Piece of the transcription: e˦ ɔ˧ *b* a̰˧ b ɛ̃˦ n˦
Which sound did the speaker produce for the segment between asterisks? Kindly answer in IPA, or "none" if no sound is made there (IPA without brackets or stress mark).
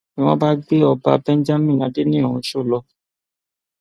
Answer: b